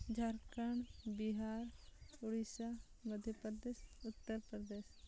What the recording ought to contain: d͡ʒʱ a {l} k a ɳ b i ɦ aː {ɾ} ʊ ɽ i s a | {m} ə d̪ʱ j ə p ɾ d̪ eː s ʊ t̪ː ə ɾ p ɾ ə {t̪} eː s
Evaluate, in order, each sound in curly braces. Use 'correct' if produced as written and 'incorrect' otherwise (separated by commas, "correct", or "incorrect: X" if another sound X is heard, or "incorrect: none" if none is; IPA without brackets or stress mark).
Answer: incorrect: ɾ, correct, correct, incorrect: d̪